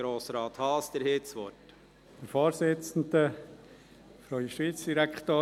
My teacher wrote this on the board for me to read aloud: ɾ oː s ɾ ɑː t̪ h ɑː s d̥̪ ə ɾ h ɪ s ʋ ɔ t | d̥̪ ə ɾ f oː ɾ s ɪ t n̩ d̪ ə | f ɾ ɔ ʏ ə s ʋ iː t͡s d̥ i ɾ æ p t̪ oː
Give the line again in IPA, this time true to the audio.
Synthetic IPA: ɾ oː s ɾ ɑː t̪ h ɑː s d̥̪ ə ɾ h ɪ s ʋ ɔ t | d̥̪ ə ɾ f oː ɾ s ɪ t͡s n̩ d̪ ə | f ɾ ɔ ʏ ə ʃ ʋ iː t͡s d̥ i ɾ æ k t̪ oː